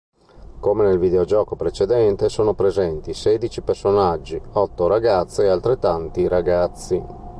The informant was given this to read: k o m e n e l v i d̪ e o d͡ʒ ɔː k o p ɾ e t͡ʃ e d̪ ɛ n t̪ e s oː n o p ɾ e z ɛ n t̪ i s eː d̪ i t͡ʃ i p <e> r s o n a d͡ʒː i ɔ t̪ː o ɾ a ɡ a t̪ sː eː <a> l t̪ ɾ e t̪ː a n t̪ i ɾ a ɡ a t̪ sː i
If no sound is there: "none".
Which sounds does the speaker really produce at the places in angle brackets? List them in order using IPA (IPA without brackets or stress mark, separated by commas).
e, a